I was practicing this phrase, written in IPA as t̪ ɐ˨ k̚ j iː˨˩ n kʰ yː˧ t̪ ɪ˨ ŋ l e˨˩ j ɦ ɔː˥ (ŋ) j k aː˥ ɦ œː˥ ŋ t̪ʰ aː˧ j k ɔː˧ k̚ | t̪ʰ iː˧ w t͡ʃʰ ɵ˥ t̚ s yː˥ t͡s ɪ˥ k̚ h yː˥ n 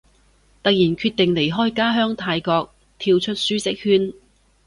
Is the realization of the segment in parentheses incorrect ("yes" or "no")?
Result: yes